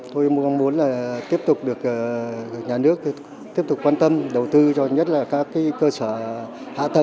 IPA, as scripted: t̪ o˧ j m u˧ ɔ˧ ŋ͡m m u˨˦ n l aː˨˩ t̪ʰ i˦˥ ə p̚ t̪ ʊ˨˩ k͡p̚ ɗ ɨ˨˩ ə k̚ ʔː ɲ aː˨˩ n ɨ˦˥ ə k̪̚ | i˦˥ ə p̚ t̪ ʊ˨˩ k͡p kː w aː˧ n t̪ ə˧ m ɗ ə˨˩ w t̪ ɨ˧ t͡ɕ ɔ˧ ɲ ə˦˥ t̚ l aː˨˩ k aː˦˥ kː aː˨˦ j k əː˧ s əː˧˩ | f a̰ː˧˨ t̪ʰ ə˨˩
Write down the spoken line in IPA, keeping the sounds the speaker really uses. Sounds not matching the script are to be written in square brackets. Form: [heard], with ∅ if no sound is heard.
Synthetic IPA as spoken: t̪ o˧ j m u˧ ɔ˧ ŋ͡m m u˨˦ n l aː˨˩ [t̪] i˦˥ ə p̚ t̪ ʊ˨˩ k͡p̚ ɗ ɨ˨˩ ə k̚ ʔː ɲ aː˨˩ n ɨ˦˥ ə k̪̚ | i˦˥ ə p̚ t̪ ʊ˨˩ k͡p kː w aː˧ n t̪ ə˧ m ɗ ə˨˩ w t̪ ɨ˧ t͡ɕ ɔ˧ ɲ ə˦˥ t̚ l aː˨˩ k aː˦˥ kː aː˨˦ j k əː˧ s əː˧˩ | [h] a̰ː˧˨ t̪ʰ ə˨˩